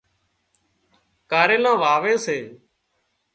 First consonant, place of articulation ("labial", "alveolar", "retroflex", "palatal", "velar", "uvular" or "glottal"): velar